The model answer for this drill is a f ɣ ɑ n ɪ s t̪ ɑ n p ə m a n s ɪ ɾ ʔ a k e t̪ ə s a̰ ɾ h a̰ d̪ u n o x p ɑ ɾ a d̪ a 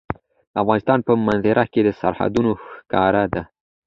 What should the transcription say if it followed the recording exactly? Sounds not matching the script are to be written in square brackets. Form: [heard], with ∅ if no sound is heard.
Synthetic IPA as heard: a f ɣ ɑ n ɪ s t̪ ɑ n p ə m a n [z] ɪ ɾ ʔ a k e [d̪] ə s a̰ ɾ h a̰ d̪ u n o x [k] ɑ ɾ a d̪ a